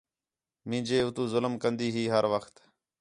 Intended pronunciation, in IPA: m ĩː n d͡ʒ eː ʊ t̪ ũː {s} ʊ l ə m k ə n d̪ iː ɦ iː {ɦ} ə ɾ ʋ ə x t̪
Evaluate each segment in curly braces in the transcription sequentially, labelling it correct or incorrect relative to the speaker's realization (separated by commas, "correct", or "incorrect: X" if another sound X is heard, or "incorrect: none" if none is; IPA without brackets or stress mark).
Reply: incorrect: z, correct